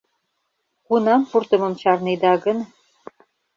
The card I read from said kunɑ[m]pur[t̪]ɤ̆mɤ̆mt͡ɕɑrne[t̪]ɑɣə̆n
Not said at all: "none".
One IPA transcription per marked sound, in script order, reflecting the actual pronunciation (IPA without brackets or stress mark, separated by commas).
m, t̪, d̪